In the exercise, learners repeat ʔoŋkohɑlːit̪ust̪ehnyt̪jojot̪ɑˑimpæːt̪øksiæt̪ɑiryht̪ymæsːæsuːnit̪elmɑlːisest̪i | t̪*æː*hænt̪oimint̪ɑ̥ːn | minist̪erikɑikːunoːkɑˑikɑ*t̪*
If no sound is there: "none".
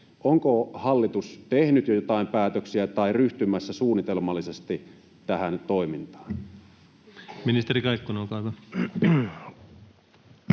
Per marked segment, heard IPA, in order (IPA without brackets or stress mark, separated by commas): æ, none